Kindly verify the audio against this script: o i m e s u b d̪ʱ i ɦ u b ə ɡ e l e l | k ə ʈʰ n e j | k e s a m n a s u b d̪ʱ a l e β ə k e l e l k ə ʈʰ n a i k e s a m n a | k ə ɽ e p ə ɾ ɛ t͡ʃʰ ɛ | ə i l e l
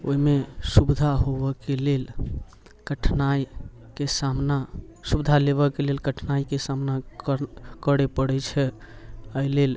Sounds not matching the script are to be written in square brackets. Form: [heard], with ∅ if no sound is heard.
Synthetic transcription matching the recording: o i m e s u b d̪ʱ [a] ɦ [o] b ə [k] e l e l | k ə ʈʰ n [a] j | k e s a m n a s u b d̪ʱ a l e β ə k e l e l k ə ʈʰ n a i k e s a m n a | k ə ɽ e p ə [ɽ] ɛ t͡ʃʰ ɛ | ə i l e l